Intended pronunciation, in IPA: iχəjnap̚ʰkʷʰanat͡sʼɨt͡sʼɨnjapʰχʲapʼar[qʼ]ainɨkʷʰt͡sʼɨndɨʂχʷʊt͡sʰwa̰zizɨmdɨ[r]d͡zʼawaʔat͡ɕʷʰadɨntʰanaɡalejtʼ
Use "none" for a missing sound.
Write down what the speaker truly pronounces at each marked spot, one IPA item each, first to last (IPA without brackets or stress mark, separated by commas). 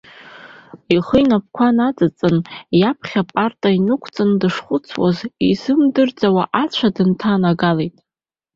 tʼ, r